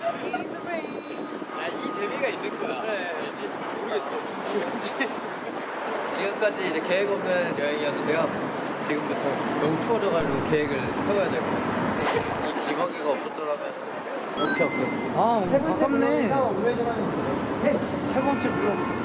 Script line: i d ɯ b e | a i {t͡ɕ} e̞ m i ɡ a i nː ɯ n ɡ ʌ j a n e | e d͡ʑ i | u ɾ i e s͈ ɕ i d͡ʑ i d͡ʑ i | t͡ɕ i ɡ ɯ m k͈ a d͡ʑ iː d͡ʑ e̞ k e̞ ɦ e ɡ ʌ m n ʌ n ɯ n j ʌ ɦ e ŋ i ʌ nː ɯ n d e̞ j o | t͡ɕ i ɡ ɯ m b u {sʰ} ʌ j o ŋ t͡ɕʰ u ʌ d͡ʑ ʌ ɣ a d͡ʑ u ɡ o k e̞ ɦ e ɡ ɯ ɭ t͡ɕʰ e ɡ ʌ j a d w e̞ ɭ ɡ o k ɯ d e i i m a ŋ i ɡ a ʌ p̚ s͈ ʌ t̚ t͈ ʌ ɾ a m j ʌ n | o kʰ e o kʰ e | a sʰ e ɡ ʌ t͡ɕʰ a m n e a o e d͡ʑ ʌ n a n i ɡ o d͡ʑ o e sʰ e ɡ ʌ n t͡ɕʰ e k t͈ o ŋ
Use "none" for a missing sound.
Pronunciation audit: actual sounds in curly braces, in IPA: t͡ɕ, tʰ

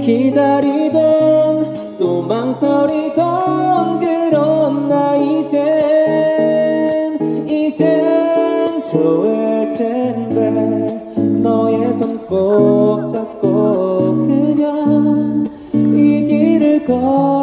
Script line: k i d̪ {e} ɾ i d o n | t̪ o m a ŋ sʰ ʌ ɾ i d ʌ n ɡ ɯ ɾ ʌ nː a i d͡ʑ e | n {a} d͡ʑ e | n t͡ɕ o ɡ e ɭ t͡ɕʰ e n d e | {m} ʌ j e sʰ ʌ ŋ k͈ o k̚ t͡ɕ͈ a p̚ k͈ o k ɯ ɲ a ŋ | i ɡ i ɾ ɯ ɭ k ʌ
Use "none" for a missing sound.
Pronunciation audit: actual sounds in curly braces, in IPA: a, i, n

